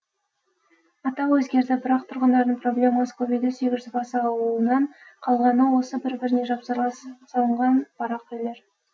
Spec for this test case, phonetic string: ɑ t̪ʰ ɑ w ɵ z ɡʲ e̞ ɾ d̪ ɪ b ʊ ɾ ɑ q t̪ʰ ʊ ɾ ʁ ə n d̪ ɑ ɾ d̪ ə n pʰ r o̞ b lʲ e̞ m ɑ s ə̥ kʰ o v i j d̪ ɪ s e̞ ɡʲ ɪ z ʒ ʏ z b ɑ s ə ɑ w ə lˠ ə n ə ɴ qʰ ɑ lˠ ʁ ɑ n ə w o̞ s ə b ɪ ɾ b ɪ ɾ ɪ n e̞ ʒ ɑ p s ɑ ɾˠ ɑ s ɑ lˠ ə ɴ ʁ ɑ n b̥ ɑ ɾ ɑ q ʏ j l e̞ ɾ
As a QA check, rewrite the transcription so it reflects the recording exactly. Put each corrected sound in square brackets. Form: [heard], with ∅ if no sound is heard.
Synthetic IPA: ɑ [t̪] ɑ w ɵ z ɡʲ e̞ ɾ d̪ ɪ b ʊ ɾ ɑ q t̪ʰ ʊ ɾ ʁ ə n d̪ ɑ ɾ d̪ ə [ɴ] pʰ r o̞ b lʲ e̞ m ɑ s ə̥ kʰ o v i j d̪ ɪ s e̞ ɡʲ ɪ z ʒ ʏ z b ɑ s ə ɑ w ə lˠ ə n [ɑ] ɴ qʰ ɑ lˠ ʁ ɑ n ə w o̞ s ə b ɪ ɾ b ɪ ɾ ɪ n e̞ ʒ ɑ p s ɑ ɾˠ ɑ s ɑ lˠ ə ɴ ʁ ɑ n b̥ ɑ ɾ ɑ q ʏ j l e̞ ɾ